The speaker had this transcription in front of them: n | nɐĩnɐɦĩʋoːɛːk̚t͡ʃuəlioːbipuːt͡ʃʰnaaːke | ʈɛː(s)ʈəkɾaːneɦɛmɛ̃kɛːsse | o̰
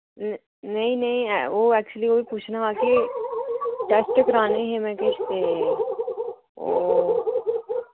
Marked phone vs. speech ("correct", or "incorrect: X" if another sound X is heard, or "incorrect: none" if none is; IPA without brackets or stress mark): correct